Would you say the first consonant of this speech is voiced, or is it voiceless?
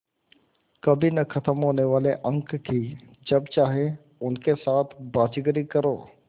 voiceless